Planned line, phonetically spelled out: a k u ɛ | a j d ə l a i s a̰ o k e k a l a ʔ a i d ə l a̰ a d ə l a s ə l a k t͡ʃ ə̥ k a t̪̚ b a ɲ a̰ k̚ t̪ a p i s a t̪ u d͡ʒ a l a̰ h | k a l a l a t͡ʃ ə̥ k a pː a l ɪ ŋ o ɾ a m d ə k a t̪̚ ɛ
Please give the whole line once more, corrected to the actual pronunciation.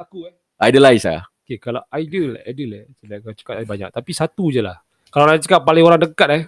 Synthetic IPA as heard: a k u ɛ | a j d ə l a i s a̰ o k e k a l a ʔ a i d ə l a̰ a d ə l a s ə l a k t͡ʃ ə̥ k a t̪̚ b a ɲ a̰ k̚ t̪ a p i s a t̪ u d͡ʒ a l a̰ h | k a l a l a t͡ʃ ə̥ k a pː a l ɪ ŋ o ɾ a ŋ d ə k a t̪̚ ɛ